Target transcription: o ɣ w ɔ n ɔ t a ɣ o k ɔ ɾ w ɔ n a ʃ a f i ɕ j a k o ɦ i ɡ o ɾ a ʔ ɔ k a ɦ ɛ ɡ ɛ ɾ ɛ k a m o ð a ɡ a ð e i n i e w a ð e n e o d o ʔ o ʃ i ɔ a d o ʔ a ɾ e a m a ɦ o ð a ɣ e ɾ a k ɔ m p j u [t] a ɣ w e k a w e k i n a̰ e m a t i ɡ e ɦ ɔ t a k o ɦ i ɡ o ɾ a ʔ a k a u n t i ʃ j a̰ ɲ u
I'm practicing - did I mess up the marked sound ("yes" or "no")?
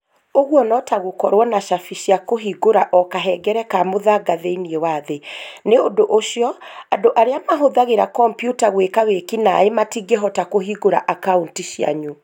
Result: no